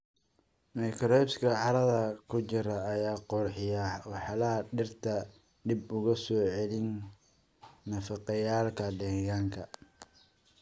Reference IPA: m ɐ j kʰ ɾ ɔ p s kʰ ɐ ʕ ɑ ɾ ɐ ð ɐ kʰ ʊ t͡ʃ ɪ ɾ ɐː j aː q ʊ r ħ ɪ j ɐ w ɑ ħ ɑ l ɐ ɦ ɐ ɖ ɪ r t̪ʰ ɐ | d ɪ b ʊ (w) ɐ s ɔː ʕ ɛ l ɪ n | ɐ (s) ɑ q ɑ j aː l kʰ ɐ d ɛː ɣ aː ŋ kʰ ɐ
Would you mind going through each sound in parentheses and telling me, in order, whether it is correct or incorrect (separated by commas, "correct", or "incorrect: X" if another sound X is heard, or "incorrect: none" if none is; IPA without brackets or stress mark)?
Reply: incorrect: ɣ, incorrect: f